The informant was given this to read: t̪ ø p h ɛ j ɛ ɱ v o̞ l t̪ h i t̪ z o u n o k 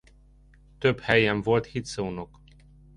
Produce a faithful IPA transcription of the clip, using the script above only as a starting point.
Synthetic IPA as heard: t̪ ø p h ɛ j ɛ ɱ v o̞ l t̪ h i t̪ s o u n o k